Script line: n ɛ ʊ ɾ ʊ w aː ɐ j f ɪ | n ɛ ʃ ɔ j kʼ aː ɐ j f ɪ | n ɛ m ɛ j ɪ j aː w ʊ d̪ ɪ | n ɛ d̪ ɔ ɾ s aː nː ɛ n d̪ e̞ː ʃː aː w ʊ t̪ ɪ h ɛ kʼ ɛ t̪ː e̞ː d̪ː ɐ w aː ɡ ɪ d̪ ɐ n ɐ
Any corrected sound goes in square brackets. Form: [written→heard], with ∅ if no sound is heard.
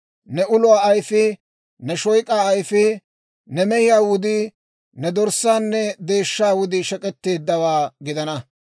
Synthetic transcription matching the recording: n ɛ ʊ [ɾ→l] ʊ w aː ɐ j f ɪ | n ɛ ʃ ɔ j kʼ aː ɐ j f ɪ | n ɛ m ɛ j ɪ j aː w ʊ d̪ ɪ | n ɛ d̪ ɔ ɾ s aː nː ɛ [n→∅] d̪ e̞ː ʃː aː w ʊ [t̪→d̪] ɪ [h→ʃ] ɛ kʼ ɛ t̪ː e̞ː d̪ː ɐ w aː ɡ ɪ d̪ ɐ n ɐ